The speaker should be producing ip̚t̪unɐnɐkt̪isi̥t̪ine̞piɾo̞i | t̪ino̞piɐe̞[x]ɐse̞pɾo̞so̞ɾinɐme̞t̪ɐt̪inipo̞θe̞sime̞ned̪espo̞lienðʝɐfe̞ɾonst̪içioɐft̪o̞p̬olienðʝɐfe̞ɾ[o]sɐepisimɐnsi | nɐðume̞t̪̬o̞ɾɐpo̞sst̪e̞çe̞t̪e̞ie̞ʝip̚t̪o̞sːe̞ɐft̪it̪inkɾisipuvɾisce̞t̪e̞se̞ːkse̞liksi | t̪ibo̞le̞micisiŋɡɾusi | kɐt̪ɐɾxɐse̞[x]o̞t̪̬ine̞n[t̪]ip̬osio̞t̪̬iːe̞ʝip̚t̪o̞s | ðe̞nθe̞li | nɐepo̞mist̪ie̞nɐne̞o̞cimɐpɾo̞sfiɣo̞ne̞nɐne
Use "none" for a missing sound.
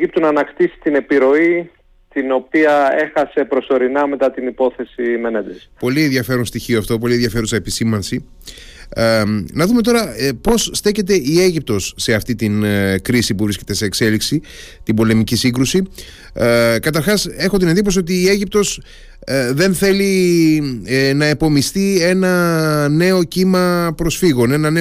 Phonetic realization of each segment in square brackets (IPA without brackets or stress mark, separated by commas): x, u, x, d̪